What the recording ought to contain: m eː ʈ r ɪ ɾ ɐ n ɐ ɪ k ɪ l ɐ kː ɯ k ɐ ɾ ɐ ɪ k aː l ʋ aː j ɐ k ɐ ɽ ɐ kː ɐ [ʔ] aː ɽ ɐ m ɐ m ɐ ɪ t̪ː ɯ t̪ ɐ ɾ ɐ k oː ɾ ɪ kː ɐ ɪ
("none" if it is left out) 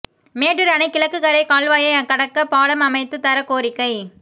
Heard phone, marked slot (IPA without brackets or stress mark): p